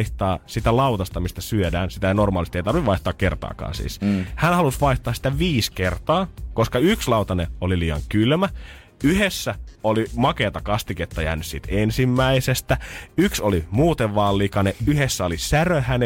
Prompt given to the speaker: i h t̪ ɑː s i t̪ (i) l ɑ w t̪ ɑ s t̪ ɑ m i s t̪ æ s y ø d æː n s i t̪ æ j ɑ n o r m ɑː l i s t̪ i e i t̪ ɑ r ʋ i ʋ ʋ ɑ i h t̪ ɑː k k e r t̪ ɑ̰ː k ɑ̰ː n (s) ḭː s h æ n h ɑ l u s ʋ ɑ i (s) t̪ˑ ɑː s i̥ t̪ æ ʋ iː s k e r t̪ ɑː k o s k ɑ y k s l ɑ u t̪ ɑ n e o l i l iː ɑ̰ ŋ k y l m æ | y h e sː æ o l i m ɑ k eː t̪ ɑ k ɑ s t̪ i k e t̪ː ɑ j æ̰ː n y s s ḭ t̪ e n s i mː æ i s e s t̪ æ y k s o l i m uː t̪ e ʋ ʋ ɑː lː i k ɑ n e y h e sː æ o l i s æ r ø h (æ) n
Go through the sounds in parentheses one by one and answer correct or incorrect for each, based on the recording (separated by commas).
incorrect, correct, incorrect, correct